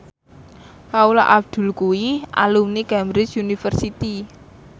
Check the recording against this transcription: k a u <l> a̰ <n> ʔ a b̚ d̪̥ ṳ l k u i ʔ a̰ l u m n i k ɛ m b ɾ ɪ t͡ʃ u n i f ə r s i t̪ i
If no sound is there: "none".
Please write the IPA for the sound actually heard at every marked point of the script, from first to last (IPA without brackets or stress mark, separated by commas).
l, none